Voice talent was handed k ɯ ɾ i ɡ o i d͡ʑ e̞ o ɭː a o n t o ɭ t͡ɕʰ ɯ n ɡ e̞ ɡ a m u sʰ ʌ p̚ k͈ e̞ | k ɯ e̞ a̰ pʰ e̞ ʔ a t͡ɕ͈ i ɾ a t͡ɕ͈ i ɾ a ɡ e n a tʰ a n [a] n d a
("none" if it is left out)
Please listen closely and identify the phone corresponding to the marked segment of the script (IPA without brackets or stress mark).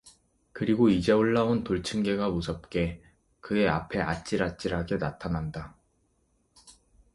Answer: a